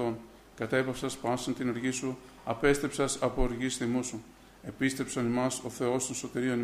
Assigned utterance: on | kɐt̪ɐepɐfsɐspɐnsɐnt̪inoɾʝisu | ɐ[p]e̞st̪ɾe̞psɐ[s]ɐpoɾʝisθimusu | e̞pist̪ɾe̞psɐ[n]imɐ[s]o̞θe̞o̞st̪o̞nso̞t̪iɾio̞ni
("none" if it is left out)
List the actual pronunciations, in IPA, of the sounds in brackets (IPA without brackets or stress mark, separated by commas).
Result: p, s, n, s